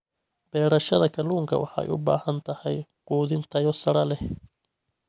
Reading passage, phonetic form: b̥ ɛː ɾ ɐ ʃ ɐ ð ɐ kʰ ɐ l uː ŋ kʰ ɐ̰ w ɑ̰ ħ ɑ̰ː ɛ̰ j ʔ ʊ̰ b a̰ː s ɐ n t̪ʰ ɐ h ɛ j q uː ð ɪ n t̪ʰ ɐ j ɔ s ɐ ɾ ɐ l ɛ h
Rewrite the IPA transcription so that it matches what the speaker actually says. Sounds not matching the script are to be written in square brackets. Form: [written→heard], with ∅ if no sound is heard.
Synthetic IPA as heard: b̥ ɛː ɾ ɐ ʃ ɐ ð ɐ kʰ ɐ l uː ŋ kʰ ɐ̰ w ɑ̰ ħ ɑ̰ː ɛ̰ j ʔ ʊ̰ b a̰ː [s→h] ɐ n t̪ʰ ɐ h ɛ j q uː ð ɪ n t̪ʰ ɐ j ɔ s ɐ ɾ ɐ l ɛ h